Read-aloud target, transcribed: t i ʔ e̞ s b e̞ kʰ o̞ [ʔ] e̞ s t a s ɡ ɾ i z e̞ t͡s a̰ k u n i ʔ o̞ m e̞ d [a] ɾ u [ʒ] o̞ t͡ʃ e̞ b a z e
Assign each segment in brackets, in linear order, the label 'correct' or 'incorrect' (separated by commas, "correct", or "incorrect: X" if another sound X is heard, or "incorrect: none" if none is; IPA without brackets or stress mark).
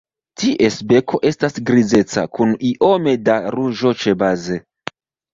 correct, correct, correct